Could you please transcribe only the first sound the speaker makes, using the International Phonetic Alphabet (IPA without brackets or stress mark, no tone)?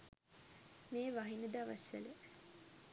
m